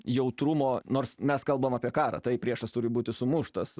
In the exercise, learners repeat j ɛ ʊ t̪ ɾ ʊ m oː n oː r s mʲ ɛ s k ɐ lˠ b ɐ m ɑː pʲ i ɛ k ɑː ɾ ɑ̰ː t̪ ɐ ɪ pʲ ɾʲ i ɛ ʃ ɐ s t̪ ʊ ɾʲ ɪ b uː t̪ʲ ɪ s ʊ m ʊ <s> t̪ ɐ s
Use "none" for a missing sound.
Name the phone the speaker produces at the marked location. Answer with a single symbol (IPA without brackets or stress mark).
ʃ